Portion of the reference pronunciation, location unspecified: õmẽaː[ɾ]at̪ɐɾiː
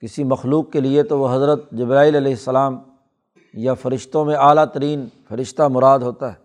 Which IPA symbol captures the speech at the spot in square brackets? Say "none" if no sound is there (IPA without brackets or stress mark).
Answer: l